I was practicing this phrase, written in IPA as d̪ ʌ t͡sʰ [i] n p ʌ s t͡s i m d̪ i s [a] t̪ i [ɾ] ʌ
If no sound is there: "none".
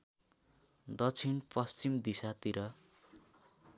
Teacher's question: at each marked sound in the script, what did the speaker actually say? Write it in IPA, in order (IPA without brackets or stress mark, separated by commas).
i, a, ɾ